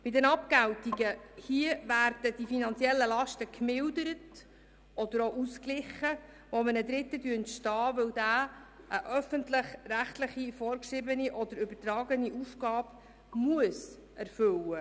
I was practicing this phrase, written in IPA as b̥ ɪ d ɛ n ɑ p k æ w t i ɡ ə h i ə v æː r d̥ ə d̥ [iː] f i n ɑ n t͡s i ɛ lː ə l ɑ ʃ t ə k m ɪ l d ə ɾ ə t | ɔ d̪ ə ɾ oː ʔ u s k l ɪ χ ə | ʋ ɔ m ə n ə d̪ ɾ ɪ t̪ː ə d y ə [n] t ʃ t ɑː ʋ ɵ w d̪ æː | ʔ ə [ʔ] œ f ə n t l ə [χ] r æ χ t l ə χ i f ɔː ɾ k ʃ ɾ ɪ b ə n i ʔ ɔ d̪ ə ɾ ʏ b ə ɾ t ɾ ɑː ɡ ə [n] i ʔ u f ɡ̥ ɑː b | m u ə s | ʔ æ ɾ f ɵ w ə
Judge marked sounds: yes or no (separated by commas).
no, yes, yes, yes, yes